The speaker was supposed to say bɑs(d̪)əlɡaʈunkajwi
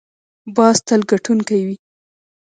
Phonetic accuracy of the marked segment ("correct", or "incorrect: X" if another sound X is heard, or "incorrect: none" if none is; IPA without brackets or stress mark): incorrect: t̪